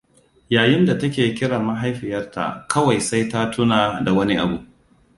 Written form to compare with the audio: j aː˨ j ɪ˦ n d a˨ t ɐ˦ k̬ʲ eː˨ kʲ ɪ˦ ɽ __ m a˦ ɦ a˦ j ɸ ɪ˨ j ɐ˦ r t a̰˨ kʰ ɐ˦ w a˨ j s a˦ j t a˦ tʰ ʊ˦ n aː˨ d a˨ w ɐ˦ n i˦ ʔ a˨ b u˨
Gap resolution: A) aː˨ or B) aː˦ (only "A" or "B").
A